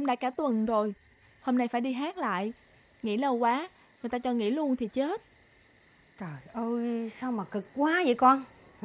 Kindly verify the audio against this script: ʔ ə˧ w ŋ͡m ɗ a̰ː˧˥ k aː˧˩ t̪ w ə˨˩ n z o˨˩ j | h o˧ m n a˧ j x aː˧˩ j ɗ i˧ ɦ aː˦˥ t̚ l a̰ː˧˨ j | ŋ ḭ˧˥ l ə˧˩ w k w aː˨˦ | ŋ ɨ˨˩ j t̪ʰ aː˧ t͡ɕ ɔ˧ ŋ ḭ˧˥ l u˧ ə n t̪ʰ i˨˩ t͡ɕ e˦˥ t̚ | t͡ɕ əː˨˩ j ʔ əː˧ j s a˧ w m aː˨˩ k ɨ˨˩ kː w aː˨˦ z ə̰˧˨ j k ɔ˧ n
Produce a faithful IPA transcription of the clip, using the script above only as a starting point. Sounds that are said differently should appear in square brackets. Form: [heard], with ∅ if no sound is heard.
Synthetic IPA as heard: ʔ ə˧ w ŋ͡m ɗ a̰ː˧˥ k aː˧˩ t̪ w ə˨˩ n z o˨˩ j | h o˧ m n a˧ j [f] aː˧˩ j ɗ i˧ ɦ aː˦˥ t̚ l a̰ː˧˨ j | ŋ ḭ˧˥ l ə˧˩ w k w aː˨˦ | ŋ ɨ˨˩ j [t̪] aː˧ t͡ɕ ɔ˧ ŋ ḭ˧˥ l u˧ ə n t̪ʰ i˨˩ t͡ɕ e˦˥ t̚ | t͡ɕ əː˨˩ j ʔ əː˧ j s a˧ w m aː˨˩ k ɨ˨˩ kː w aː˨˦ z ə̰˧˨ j k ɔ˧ n